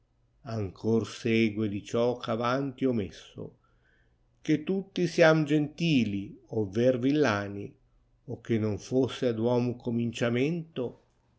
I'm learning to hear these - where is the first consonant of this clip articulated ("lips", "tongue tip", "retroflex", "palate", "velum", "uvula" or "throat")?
velum